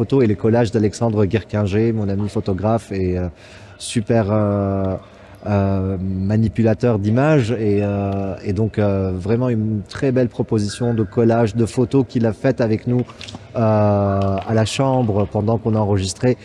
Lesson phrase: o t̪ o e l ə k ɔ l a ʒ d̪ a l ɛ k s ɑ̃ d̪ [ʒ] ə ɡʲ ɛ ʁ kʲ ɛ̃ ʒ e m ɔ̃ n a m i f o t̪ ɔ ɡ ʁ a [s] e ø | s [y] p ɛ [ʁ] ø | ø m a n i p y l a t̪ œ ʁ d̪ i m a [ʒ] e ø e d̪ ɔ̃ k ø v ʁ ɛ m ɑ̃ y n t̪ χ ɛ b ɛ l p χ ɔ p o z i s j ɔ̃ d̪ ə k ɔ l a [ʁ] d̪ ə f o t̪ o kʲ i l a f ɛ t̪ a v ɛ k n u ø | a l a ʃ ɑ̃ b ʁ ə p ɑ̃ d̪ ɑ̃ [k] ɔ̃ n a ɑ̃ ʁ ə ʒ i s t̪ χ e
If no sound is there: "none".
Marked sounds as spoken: ʁ, f, y, ʁ, ʒ, ʒ, k

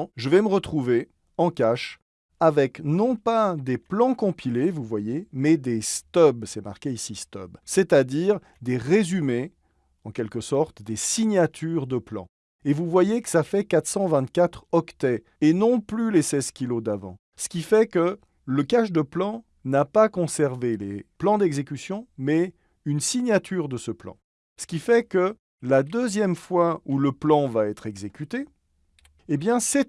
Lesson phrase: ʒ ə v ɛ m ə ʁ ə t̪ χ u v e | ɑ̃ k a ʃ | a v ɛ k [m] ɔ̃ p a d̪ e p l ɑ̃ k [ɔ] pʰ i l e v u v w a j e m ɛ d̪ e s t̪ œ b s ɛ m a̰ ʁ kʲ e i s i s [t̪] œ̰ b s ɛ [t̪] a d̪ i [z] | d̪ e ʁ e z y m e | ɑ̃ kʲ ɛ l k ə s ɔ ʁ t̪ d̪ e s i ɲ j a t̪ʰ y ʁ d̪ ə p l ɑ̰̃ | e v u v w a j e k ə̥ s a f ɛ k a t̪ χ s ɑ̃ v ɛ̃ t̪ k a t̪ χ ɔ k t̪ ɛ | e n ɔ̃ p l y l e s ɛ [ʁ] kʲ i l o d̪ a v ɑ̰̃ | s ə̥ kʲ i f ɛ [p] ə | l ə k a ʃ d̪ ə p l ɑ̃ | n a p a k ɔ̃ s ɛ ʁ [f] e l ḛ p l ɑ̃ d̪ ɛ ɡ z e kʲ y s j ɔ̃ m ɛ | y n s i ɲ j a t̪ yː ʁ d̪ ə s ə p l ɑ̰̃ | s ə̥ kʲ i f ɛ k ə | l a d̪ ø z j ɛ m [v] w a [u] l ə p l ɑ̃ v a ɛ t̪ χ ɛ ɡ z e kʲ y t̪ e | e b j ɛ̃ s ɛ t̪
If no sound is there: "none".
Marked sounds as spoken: n, ɔ̃, t̪, t̪, ʁ, z, k, v, f, u

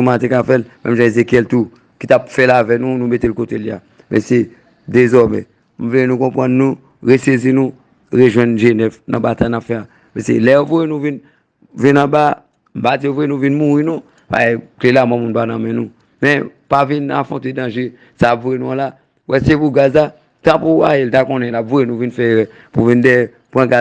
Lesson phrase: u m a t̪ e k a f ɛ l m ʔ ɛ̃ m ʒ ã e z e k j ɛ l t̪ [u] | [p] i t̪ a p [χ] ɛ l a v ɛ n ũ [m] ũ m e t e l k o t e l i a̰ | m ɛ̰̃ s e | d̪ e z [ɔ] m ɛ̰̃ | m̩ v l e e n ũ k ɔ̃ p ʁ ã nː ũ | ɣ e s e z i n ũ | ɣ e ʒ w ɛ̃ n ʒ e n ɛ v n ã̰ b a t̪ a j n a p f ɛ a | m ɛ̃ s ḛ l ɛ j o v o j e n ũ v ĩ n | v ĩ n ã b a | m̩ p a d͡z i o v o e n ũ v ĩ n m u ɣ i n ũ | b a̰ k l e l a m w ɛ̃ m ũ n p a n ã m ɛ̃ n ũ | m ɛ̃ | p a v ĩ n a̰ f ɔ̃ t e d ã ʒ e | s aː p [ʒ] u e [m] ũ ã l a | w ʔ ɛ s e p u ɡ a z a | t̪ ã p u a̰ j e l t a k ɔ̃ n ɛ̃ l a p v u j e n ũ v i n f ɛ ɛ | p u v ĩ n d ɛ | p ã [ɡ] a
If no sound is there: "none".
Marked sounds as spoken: u, k, f, n, ɔ, v, n, ɡ

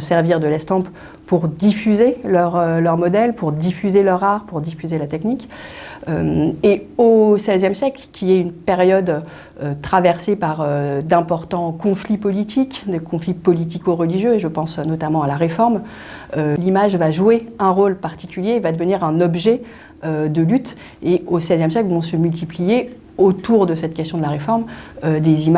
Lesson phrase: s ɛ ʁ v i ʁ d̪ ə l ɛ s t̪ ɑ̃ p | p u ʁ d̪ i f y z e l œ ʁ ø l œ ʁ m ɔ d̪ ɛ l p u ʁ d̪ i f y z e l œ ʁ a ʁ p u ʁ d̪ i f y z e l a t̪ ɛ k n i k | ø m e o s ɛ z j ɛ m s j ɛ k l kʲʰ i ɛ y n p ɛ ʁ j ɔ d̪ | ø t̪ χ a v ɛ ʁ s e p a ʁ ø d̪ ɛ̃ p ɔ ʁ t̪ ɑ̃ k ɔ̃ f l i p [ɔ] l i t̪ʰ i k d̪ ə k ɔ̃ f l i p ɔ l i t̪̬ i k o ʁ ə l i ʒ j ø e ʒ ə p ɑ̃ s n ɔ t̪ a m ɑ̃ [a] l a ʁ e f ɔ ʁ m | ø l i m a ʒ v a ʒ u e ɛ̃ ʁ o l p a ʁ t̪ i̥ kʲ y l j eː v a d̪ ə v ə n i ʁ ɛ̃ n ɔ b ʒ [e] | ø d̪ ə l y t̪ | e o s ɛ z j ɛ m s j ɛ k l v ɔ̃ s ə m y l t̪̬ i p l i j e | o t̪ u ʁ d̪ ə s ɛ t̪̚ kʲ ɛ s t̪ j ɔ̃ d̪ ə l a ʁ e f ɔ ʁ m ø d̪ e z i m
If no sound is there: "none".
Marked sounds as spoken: ɔ, a, ɛ

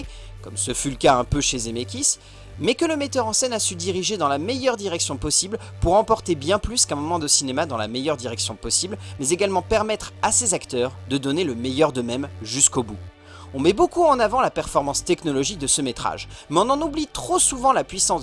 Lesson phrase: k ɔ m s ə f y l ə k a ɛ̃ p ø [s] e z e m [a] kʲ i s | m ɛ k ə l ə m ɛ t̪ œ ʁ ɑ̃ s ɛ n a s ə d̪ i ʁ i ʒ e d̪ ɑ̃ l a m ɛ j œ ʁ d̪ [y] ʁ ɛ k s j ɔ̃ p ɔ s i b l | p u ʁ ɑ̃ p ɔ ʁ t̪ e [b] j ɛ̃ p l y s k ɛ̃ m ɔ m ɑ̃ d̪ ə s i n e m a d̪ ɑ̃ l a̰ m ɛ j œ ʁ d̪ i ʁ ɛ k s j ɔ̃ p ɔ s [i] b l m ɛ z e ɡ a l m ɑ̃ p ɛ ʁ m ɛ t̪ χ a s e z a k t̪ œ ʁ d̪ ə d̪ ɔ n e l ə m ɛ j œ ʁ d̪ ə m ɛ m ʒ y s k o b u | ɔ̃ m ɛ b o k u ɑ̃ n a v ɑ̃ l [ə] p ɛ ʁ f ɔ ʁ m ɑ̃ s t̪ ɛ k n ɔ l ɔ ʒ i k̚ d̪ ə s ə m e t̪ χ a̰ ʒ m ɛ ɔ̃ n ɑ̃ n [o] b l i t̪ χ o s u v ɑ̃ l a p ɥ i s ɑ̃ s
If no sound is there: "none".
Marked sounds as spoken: ʃ, e, i, b, i, a, u

